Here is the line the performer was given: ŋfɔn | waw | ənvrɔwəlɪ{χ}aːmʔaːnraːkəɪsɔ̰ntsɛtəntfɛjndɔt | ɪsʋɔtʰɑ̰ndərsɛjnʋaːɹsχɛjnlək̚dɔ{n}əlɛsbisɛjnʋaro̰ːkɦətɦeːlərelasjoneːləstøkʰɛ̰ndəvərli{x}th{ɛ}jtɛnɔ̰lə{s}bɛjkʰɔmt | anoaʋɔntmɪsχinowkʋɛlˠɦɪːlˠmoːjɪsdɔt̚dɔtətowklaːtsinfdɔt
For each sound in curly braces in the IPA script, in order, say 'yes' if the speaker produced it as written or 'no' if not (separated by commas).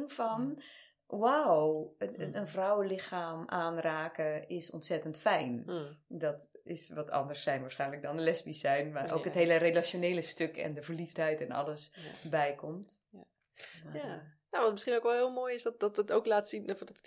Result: no, yes, no, yes, yes